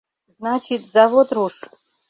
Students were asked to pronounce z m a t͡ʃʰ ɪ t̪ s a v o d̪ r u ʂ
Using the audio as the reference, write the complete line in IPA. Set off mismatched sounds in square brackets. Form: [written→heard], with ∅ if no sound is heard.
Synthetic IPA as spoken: z [m→n] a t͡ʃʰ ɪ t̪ [s→z] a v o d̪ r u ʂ